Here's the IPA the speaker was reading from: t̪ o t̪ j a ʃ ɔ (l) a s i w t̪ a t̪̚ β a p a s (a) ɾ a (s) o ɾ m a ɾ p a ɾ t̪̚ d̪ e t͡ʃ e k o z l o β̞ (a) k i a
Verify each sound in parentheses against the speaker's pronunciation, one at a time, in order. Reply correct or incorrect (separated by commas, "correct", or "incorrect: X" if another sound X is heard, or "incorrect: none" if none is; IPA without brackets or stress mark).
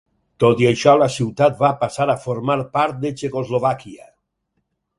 correct, correct, incorrect: f, correct